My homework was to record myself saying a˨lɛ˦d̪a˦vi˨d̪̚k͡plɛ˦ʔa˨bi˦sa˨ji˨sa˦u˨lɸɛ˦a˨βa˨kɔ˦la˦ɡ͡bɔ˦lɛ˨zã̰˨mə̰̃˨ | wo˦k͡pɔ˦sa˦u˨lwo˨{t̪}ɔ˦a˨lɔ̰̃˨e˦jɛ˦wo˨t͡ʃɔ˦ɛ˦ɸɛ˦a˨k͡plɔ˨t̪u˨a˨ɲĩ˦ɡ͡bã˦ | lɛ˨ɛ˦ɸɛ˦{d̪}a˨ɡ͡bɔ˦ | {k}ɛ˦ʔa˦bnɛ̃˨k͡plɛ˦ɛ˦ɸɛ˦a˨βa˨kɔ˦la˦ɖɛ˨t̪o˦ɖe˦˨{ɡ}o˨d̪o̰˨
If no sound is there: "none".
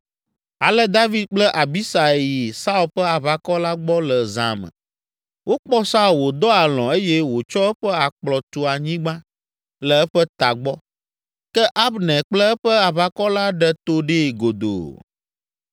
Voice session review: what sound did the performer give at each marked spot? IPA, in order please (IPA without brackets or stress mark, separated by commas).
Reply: d̪, t̪, k, ɡ